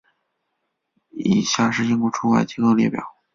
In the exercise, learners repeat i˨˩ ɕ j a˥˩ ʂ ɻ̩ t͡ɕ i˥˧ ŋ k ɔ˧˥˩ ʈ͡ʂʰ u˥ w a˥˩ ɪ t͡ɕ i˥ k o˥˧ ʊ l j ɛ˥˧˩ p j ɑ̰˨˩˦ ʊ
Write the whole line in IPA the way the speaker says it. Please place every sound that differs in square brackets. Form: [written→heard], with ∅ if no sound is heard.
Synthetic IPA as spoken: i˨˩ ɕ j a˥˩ ʂ ɻ̩ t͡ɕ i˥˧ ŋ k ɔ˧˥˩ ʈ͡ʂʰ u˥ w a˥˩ ɪ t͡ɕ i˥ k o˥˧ ʊ l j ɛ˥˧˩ p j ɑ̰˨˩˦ ʊ